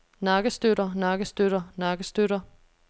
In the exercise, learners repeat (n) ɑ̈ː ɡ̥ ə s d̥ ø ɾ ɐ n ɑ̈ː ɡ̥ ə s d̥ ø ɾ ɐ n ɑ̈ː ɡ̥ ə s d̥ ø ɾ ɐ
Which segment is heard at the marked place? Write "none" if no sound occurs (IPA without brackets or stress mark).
n